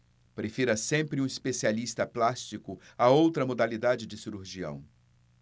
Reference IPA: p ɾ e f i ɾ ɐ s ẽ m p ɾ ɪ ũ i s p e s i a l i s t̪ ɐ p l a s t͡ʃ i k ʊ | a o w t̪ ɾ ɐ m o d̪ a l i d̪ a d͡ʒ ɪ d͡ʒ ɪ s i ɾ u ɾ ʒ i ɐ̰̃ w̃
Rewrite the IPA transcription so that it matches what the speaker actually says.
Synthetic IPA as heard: p ɾ e f i ɾ ɐ s ẽ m p ɾ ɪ ũ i s p e s i a l i s t̪ ɐ p l a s t͡ʃ i k ʊ | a o w t̪ ɾ ɐ m o d̪ a l i d̪ a d͡ʒ ɪ d͡ʒ ɪ s i ɾ u ɾ ʒ i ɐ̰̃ w̃